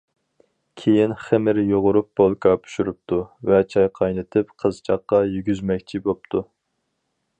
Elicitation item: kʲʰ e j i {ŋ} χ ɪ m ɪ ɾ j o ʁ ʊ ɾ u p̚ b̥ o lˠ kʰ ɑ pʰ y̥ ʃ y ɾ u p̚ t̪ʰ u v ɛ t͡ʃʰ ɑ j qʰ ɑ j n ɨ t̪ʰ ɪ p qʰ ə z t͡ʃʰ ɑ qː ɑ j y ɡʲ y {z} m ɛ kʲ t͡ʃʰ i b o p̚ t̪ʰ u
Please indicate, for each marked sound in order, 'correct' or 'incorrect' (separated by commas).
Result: incorrect, correct